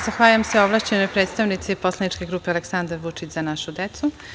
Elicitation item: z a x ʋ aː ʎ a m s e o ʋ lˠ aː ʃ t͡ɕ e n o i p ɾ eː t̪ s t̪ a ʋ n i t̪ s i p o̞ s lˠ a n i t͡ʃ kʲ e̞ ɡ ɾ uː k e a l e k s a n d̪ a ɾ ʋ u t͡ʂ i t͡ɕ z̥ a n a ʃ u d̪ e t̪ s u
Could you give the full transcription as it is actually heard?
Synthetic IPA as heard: z a x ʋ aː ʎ a m s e o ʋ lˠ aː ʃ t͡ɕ e n o j p ɾ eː t̪ s t̪ a ʋ n i t̪ s i p o̞ s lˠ a n i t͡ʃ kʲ e̞ ɡ ɾ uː p e a l e k s a n d̪ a ɾ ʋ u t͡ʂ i t͡ɕ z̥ a n a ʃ u d̪ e t̪ s u